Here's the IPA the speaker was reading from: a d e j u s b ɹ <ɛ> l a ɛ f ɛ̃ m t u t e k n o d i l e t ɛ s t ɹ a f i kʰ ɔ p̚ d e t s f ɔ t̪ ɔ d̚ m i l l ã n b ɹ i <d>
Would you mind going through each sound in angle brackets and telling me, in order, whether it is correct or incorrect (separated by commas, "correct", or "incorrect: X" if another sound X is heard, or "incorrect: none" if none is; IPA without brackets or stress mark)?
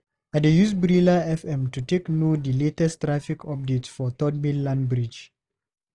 incorrect: i, incorrect: d͡ʒ